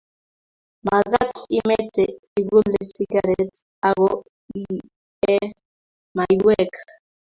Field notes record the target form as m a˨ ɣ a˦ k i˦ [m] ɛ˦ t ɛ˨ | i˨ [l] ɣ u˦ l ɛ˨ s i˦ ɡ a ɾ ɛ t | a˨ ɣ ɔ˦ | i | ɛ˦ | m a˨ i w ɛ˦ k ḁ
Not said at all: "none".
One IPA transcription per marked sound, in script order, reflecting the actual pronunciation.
m, none

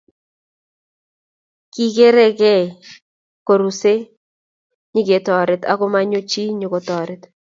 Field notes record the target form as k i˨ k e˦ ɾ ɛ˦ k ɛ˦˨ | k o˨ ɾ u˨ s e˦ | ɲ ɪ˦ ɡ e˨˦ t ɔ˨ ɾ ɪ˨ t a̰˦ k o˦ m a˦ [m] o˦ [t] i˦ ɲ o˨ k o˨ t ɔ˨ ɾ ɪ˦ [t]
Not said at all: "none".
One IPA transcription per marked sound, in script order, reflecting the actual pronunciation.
ɲ, t͡ʃ, t

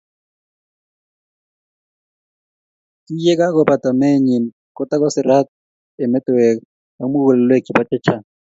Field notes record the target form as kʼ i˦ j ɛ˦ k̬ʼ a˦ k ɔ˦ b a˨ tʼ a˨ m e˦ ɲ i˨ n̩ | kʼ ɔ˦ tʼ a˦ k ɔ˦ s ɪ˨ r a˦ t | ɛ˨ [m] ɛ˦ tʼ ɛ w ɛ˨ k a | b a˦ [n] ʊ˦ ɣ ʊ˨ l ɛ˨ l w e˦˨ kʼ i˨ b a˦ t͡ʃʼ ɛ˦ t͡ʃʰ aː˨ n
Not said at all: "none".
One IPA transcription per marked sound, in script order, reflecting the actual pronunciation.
m, m

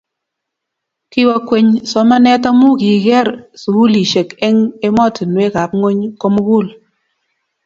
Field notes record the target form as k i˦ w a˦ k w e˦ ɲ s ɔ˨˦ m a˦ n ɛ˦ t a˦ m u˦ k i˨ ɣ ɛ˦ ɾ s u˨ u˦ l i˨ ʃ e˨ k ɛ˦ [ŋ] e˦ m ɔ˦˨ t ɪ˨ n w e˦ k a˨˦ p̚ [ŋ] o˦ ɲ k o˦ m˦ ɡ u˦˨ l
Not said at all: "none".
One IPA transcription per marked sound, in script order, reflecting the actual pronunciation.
ŋ, ŋ

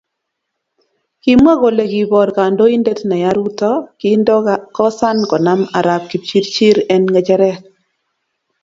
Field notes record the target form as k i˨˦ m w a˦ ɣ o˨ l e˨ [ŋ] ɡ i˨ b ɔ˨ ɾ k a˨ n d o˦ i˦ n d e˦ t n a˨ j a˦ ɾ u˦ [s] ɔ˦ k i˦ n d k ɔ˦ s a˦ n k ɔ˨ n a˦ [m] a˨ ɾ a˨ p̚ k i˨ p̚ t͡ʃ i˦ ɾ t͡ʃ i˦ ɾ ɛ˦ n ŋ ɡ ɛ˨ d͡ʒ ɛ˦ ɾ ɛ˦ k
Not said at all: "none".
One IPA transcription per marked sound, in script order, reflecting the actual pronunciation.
none, t, m

